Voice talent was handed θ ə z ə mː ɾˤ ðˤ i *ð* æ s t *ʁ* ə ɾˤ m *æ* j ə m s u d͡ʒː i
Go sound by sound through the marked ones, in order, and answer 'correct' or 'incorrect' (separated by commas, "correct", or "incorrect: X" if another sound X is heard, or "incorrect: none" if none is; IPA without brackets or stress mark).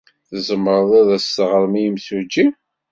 correct, correct, incorrect: i